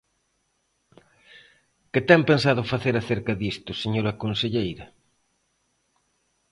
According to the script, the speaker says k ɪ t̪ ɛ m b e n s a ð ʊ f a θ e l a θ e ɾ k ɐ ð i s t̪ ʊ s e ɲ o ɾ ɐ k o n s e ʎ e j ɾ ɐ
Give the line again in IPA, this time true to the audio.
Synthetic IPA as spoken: k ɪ t̪ ɛ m p e n s a ð ʊ f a θ e ɾ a θ e ɾ k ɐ ð i s t̪ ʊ s e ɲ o ɾ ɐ k o n s e ʎ e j ɾ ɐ